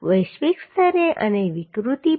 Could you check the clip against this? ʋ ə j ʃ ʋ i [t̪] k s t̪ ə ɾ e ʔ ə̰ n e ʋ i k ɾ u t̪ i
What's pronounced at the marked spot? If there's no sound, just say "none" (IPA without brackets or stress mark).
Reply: none